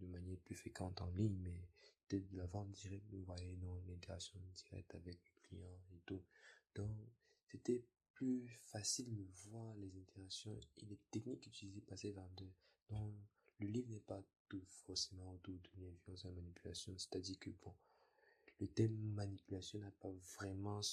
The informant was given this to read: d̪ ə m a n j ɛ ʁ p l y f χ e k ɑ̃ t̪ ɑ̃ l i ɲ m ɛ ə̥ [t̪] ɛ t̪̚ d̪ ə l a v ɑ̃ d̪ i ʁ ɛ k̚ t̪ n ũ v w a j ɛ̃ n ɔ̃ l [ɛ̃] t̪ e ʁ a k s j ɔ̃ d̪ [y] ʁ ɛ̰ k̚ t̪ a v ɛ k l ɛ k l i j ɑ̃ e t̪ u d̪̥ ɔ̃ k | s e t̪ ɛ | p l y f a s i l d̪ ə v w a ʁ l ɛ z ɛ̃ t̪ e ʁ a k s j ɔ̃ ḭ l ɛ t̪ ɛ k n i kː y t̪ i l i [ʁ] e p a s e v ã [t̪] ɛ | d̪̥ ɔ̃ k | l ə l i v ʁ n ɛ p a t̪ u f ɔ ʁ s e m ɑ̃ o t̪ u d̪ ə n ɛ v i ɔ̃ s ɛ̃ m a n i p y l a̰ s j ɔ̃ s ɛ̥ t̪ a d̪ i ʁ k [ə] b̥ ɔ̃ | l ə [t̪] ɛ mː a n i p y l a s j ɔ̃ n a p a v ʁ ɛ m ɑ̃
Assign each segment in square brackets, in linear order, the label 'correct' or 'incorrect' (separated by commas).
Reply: correct, correct, incorrect, incorrect, incorrect, correct, correct